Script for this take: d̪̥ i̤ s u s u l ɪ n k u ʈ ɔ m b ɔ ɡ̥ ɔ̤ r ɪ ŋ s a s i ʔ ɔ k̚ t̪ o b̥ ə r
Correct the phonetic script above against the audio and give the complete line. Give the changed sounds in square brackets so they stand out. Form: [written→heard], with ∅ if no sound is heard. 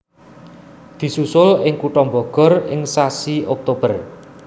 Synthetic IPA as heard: d̪̥ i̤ s u s [u→ʊ] l ɪ [n→ŋ] k u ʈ ɔ m b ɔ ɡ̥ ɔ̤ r ɪ ŋ s a s i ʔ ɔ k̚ t̪ o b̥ ə r